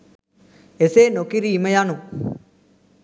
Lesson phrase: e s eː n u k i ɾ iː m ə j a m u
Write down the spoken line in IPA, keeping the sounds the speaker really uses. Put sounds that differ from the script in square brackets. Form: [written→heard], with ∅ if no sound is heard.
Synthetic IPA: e s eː n [u→o] k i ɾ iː m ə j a [m→n] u

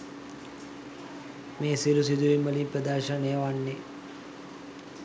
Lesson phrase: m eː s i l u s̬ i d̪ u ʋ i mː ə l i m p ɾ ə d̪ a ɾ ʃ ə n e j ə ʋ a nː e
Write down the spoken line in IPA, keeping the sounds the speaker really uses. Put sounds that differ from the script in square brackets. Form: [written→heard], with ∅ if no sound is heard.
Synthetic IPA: m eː s i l u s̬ i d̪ u ʋ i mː ə l i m p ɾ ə d̪ a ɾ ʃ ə n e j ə ʋ a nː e

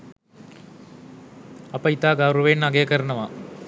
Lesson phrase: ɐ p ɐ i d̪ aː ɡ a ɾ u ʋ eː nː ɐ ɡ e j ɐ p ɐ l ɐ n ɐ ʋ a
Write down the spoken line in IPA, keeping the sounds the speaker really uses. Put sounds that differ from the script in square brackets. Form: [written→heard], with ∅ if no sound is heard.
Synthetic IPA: ɐ p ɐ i [d̪→t̪] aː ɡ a ɾ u ʋ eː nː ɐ ɡ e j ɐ [p→k] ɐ [l→ɾ] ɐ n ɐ ʋ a

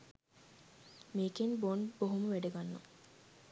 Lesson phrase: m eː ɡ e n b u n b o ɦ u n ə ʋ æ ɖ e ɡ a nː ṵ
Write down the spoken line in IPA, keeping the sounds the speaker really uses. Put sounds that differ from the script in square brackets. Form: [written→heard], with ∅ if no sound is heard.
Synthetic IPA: m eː [ɡ→k] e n b [u→o] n b o ɦ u [n→m] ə ʋ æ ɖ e ɡ a nː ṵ

